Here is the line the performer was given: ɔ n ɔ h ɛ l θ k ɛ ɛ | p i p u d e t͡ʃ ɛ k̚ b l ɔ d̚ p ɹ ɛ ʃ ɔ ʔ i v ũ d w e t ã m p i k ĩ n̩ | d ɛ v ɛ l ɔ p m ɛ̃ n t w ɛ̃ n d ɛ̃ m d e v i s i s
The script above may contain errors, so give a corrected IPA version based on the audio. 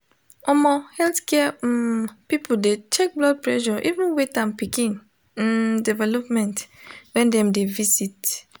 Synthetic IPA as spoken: ɔ m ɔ h ɛ l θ k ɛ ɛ | p i p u d e t͡ʃ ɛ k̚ b l ɔ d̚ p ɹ ɛ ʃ ɔ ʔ i v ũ n w e t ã m p i k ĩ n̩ | d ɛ v ɛ l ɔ p m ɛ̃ n t w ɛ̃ n d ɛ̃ m d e v i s i t